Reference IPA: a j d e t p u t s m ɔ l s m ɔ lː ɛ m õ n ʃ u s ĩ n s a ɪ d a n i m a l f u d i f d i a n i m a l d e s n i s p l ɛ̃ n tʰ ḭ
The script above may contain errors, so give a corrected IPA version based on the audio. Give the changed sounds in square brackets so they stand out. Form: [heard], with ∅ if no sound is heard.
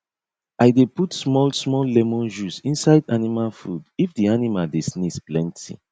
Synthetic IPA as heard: a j d e [∅] p u t s m ɔ l s m ɔ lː ɛ m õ n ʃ u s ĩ n s a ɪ d a n i m a l f u d i f d i a n i m a l d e s n i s p l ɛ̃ n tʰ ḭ